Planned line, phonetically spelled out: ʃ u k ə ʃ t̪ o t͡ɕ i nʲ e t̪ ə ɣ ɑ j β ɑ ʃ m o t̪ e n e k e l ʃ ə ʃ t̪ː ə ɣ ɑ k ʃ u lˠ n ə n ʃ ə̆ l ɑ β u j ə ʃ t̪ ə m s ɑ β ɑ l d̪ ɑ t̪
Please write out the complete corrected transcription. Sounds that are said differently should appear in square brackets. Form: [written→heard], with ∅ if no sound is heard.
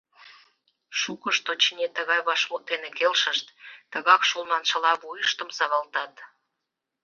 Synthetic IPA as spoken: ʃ u k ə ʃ t̪ o t͡ɕ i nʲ e t̪ ə ɣ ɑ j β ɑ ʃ m o t̪ e n e k e l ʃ ə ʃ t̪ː ə ɣ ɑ k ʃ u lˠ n [ə→ɑ] n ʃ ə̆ l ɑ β u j ə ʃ t̪ ə m s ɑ β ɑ l [d̪→t̪] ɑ t̪